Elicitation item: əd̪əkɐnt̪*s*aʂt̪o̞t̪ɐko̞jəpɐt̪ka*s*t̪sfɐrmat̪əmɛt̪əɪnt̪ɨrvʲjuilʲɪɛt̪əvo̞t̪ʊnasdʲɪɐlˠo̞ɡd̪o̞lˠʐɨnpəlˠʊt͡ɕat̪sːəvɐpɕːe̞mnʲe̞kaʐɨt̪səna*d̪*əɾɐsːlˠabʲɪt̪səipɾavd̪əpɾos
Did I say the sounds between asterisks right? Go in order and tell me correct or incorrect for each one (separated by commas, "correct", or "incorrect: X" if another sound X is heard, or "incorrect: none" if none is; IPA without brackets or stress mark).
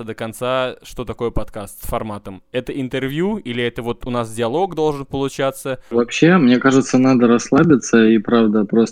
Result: correct, correct, correct